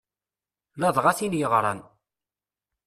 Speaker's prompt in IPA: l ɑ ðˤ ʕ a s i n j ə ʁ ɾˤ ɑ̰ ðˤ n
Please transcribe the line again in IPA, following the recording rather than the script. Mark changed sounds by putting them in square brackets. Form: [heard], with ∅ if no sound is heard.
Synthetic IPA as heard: l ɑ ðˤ [ʁ] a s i n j ə ʁ ɾˤ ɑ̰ [∅] n